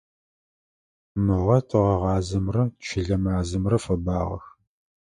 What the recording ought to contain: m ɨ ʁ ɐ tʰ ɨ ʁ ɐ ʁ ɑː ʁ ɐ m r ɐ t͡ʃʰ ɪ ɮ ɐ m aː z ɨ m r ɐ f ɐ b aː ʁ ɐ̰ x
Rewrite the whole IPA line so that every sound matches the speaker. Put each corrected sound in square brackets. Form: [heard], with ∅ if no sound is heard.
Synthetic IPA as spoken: m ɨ ʁ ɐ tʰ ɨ ʁ ɐ ʁ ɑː [z] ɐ m r ɐ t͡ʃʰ ɪ ɮ ɐ m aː z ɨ m r ɐ f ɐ b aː ʁ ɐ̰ x